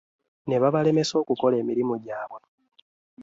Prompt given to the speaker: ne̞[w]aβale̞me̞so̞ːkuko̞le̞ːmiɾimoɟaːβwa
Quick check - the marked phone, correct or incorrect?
incorrect